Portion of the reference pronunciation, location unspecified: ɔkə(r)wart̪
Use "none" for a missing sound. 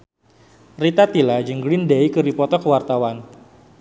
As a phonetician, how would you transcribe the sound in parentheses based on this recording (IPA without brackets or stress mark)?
none